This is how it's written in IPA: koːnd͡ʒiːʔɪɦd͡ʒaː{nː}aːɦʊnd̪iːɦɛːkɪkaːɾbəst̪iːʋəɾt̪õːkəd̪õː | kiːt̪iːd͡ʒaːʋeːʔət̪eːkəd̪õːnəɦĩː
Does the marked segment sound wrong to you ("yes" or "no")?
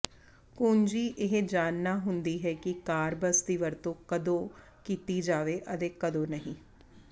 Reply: no